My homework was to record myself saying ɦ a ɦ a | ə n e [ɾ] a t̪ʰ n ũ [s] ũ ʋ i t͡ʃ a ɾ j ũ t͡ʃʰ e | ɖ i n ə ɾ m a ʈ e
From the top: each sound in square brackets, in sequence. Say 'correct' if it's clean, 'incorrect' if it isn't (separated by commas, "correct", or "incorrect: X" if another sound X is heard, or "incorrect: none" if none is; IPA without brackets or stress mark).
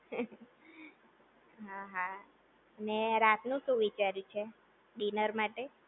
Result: correct, incorrect: ʃ